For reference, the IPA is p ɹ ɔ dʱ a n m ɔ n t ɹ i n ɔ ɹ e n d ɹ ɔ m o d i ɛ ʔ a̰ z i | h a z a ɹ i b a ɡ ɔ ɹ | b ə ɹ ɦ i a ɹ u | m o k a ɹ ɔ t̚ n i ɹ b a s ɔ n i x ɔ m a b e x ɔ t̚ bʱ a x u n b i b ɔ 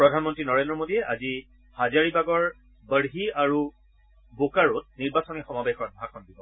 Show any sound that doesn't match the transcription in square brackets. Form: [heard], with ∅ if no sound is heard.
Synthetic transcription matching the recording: p ɹ ɔ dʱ a n m ɔ n t ɹ i n ɔ ɹ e n d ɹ ɔ m o d i ɛ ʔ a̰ z i | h a z a ɹ i b a ɡ ɔ ɹ | b ə ɹ ɦ i a ɹ u | [b] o k a ɹ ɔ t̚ n i ɹ b a s ɔ n i x ɔ m a b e x ɔ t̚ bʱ a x [ɔ] n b i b ɔ